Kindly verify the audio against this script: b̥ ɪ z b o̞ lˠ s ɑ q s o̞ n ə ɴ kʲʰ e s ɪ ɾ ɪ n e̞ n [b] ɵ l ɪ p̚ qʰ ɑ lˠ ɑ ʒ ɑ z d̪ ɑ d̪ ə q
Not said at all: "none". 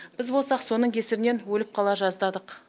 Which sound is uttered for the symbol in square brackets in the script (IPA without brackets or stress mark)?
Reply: w